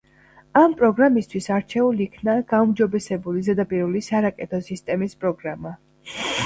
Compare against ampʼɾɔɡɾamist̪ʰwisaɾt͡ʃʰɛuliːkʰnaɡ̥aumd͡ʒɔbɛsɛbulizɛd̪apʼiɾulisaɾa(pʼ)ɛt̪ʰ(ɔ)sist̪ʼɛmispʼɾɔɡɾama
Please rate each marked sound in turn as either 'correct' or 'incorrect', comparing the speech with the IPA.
incorrect: kʼ, correct

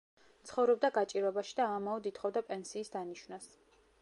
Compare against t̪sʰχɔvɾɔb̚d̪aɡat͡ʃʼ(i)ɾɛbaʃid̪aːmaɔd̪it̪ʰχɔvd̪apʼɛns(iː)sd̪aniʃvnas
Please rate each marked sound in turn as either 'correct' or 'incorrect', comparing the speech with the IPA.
correct, correct

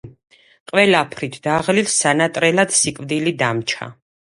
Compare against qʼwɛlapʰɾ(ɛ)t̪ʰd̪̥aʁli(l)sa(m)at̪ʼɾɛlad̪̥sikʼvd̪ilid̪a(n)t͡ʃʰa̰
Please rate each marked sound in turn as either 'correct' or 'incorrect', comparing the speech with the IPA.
incorrect: i, correct, incorrect: n, incorrect: m

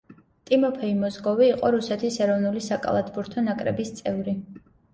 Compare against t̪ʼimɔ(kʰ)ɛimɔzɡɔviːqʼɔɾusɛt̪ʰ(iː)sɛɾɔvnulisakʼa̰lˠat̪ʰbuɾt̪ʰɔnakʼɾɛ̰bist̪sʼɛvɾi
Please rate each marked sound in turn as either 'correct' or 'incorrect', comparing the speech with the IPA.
incorrect: pʰ, incorrect: i

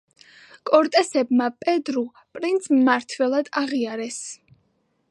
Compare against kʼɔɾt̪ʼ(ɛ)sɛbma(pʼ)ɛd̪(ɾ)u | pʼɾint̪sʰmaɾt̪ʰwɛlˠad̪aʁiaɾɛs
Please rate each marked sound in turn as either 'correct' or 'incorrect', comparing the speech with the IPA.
correct, correct, correct

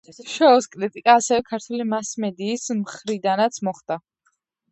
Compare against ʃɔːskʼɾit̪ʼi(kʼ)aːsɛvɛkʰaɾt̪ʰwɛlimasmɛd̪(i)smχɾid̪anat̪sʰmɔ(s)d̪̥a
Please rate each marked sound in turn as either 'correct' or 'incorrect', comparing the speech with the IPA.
correct, incorrect: iː, incorrect: χ

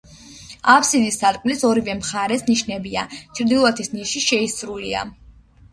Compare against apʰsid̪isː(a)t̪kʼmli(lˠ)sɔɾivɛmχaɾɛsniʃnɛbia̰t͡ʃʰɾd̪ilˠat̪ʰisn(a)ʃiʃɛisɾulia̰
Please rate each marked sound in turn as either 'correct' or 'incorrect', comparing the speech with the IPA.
correct, incorrect: none, incorrect: i

